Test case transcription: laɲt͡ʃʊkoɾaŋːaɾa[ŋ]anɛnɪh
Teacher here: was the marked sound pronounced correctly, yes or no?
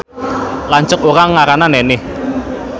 no